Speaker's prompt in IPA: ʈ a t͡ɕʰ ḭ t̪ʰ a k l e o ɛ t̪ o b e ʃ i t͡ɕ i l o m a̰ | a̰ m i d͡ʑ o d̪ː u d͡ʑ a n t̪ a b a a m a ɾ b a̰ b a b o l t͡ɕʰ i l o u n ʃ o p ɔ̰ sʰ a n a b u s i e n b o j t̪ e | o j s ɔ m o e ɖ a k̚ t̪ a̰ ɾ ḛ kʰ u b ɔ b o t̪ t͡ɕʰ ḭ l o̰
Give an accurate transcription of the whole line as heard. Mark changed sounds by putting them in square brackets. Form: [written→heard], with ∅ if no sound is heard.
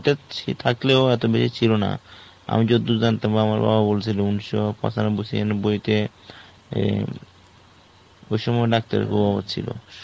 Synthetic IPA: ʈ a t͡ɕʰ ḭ t̪ʰ a k l e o ɛ t̪ o b e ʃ i [t͡ɕ→t͡ɕʰ] i l o [m→n] a̰ | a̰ m i d͡ʑ o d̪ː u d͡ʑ a n t̪ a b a a m a ɾ b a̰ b a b o l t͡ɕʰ i l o u n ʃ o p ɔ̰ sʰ a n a b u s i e n b o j t̪ e | o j [s→ʃ] ɔ m [o→ɔ] e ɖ a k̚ t̪ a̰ ɾ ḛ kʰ u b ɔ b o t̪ t͡ɕʰ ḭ l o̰

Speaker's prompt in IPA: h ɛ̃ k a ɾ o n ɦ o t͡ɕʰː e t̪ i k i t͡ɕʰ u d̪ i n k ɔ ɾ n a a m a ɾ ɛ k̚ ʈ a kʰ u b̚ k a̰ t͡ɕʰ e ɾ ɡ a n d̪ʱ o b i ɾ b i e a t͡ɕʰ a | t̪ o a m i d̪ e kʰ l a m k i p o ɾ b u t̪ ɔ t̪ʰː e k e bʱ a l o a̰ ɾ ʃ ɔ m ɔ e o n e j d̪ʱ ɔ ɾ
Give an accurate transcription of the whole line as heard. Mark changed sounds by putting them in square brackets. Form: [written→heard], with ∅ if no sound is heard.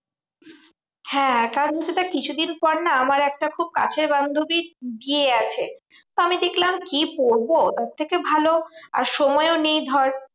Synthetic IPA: h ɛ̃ k a ɾ o n ɦ o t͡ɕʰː e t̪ [i→a] k i t͡ɕʰ u d̪ i n [k→p] ɔ ɾ n a a m a ɾ ɛ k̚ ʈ a kʰ u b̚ k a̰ t͡ɕʰ e ɾ [ɡ→b] a n d̪ʱ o b i ɾ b i e a t͡ɕʰ [a→e] | t̪ o a m i d̪ e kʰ l a m k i p o ɾ b [u→o] t̪ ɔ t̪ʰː e k e bʱ a l o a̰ ɾ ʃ ɔ m ɔ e o n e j d̪ʱ ɔ ɾ

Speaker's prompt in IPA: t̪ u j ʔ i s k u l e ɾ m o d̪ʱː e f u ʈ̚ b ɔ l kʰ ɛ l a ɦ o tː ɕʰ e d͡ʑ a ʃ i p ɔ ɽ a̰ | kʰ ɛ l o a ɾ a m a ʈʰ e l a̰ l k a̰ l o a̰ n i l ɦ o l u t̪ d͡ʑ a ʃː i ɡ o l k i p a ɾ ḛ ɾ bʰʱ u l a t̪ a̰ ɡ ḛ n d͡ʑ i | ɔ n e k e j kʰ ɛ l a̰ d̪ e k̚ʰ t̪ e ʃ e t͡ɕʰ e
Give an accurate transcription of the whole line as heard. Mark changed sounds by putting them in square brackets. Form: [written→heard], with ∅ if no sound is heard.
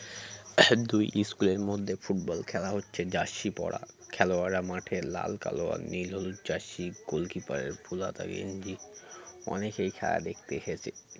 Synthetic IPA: [t̪→d̪] u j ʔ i s k u l e ɾ m o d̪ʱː e f u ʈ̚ b ɔ l kʰ ɛ l a ɦ o tː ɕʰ e d͡ʑ a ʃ i p ɔ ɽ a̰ | kʰ ɛ l o a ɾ a m a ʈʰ e l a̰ l k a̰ l o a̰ n i l ɦ o l u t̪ d͡ʑ a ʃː i ɡ o l k i p a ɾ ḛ ɾ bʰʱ u l a t̪ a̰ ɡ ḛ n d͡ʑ i | ɔ n e k e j kʰ ɛ l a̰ d̪ e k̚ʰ t̪ e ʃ e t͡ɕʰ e

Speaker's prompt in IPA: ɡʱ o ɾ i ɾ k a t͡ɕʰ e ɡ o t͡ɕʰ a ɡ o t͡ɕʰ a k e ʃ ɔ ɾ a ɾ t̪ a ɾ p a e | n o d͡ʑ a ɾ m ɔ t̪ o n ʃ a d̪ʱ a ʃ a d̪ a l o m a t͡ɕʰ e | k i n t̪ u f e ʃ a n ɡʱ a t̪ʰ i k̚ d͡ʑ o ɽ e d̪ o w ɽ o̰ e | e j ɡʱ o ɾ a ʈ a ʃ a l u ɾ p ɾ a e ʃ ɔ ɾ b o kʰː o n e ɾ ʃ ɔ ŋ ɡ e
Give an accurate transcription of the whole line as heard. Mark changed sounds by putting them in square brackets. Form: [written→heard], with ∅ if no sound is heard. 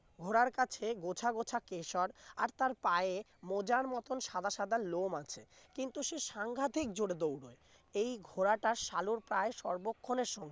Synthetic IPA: ɡʱ o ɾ [i→a] ɾ k a t͡ɕʰ e ɡ o t͡ɕʰ a ɡ o t͡ɕʰ a k e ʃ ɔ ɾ a ɾ t̪ a ɾ p a e | [n→m] o d͡ʑ a ɾ m ɔ t̪ o n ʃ a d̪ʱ a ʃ a d̪ a l o m a t͡ɕʰ e | k i n t̪ u [f→ʃ] e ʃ a [n→ŋ] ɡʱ a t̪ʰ i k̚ d͡ʑ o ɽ e d̪ o w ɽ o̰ e | e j ɡʱ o ɾ a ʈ a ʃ a l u ɾ p ɾ a e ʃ ɔ ɾ b o kʰː o n e ɾ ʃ ɔ ŋ ɡ e

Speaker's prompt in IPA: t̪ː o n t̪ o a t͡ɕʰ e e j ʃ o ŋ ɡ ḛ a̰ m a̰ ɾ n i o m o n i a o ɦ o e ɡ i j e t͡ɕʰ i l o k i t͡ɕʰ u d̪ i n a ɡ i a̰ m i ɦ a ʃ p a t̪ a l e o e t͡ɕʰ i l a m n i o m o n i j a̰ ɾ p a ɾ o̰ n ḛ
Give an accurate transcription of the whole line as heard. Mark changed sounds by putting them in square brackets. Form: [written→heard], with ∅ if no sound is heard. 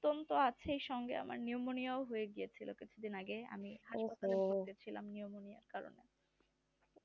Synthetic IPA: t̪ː o n t̪ o a t͡ɕʰ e e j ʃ [o→ɔ] ŋ ɡ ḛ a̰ m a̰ ɾ n i o m o n i a o ɦ o e ɡ i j e t͡ɕʰ i l o k i t͡ɕʰ u d̪ i n a ɡ [i→e] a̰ m i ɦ a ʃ p a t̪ a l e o e t͡ɕʰ i l a m n i o m o n i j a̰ ɾ [p→k] a ɾ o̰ n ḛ

